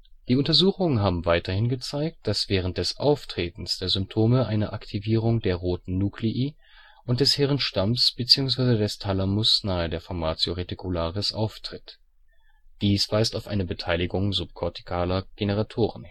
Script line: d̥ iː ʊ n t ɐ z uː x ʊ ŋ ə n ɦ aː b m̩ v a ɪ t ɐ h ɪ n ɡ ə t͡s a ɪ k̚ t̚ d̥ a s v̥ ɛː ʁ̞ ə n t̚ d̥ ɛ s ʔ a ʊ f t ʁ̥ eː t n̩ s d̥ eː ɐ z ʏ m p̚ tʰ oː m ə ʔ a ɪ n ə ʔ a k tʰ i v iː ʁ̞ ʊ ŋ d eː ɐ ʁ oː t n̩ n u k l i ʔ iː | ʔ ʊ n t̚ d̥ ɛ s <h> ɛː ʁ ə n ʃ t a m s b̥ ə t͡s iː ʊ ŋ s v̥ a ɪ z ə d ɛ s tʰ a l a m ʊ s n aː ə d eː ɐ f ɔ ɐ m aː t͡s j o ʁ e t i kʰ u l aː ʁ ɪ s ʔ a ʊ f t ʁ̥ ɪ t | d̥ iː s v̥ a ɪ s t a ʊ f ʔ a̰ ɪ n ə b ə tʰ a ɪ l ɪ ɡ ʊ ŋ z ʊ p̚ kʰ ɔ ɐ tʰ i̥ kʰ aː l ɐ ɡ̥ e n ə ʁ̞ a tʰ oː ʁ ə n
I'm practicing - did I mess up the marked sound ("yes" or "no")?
no